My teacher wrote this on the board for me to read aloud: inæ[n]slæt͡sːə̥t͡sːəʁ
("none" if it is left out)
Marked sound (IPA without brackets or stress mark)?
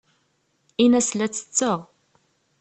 none